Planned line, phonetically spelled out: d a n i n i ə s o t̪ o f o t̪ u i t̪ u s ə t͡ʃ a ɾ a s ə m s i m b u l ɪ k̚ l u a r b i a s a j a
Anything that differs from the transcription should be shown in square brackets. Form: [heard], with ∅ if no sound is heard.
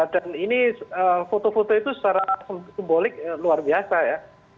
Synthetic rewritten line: d a n i n i ə [f] o t̪ o f o t̪ [o] i t̪ u s ə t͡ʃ a ɾ a s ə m s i m b [o] l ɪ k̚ l u a r b i a s a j a

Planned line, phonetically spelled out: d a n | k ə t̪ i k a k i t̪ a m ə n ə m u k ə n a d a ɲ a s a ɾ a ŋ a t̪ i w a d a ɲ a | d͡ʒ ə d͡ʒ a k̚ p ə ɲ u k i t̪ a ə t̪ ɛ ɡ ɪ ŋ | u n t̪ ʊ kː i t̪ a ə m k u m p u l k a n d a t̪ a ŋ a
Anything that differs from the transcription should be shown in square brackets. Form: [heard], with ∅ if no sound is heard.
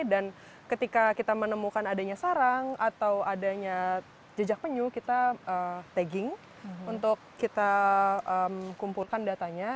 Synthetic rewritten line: d a n | k ə t̪ i k a k i t̪ a m ə n ə m u k [a] n a d a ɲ a s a ɾ a ŋ a t̪ [a] w a d a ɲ a | d͡ʒ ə d͡ʒ a k̚ p ə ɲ u k i t̪ a ə t̪ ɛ ɡ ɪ ŋ | u n t̪ ʊ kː i t̪ a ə m k u m p u l k a n d a t̪ a [ɲ] a

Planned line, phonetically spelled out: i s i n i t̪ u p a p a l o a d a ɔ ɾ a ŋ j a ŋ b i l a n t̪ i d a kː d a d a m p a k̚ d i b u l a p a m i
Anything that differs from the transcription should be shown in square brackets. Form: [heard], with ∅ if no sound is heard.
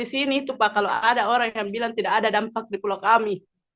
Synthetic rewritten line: i s i n i t̪ u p a [k] a l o a d a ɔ ɾ a ŋ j a ŋ b i l a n t̪ i d a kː d a d a m p a k̚ d i [p] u l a [k] a m i

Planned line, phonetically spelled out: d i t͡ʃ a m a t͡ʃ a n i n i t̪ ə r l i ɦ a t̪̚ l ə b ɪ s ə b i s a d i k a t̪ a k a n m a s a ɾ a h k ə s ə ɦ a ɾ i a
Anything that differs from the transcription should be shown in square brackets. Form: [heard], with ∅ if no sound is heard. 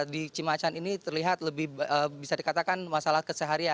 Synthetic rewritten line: d i t͡ʃ [i] m a t͡ʃ a n i n i t̪ ə r l i ɦ a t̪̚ l ə b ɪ [h] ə b i s a d i k a t̪ a k a n m a s a [l] a h k ə s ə ɦ a ɾ i a

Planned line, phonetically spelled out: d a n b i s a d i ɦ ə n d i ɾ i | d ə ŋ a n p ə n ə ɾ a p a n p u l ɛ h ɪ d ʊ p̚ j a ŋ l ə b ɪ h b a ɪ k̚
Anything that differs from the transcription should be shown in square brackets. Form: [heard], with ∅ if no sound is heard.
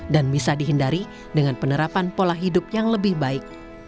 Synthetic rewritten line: d a n b i s a d i ɦ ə n d [a] ɾ i | d ə ŋ a n p ə n ə ɾ a p a n p [o] l [a] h [i] d ʊ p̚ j a ŋ l ə b ɪ h b a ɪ k̚

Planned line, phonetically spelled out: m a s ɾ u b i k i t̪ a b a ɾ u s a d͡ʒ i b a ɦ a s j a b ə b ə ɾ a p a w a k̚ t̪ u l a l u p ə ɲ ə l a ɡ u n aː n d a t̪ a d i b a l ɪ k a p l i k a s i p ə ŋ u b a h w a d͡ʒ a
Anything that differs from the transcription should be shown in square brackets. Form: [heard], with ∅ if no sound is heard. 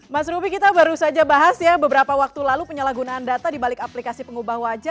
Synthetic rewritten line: m a s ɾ u b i k i t̪ a b a ɾ u s a d͡ʒ [a] b a ɦ a s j a b ə b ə ɾ a p a w a k̚ t̪ u l a l u p ə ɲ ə l a ɡ u n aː n d a t̪ a d i b a l ɪ k a p l i k a s i p ə ŋ u b a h w a d͡ʒ a

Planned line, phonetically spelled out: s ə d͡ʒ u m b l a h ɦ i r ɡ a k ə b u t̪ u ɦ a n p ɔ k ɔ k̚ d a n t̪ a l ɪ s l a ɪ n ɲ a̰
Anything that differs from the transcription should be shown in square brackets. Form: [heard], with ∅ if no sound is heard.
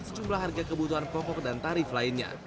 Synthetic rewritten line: s ə d͡ʒ u m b l a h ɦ [a] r ɡ a k ə b u t̪ u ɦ a n p ɔ k ɔ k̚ d a n t̪ a [ɾ] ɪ [f] l a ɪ n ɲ a̰

